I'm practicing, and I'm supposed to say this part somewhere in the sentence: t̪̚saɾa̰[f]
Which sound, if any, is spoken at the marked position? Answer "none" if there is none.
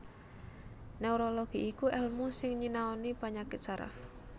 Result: f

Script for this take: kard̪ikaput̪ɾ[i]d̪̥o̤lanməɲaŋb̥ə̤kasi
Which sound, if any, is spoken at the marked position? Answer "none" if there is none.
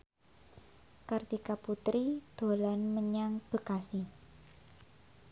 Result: i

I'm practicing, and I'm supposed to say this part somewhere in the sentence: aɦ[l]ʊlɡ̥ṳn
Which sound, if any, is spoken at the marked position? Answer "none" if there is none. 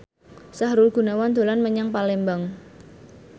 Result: ɾ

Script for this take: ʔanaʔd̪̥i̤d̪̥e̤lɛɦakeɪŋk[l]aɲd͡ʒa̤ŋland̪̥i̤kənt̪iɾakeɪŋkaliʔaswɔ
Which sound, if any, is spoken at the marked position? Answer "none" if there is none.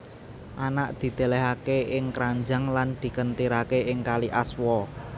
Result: ɾ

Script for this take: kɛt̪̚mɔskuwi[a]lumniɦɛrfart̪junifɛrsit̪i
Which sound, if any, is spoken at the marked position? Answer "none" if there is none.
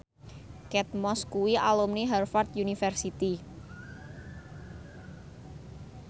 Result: a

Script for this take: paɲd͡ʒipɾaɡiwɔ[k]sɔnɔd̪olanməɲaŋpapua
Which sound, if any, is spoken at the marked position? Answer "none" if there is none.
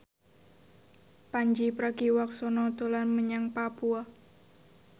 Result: k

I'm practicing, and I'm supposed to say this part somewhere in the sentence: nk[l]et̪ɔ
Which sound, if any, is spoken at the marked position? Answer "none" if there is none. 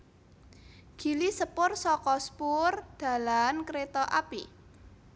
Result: ɾ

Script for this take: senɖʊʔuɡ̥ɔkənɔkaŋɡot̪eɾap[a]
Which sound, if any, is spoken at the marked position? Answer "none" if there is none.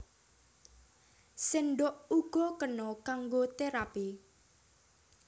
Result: i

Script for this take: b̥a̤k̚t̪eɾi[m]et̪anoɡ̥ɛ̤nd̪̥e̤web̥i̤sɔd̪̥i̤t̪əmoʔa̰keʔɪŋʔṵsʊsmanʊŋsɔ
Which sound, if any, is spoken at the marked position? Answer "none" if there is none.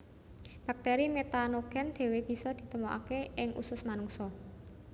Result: m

